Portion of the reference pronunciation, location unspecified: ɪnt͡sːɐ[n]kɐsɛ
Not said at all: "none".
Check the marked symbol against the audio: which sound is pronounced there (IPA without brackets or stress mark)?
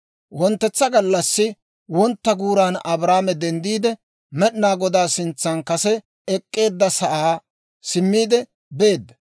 n